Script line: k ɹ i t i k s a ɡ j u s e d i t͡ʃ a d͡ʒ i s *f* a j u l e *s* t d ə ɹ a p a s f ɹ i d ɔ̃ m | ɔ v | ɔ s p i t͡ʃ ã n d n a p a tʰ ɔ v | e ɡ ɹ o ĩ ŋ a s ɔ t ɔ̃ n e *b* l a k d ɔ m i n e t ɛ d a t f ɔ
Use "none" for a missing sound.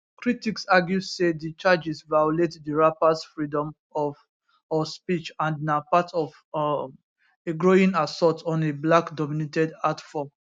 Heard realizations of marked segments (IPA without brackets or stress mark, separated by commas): v, none, b